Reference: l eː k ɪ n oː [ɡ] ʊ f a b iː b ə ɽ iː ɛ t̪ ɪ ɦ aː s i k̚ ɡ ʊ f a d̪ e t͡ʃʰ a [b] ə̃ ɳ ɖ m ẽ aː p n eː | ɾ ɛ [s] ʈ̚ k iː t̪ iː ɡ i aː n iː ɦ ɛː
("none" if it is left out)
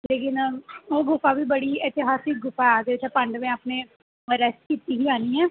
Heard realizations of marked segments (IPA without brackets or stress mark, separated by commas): ɡ, p, s